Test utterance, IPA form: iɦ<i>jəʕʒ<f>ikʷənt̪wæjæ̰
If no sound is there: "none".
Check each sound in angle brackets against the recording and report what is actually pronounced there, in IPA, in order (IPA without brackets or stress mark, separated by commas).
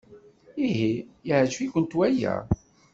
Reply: i, f